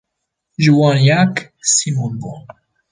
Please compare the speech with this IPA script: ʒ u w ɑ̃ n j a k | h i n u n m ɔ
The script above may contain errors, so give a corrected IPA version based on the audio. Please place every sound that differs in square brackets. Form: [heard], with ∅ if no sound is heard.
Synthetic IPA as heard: ʒ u w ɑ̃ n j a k | [s] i [m] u n [b] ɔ